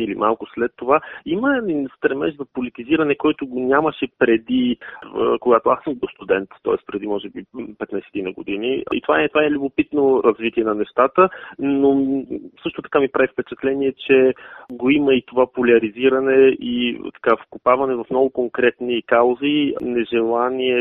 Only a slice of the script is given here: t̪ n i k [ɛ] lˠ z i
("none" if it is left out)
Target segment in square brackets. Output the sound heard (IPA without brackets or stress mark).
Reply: a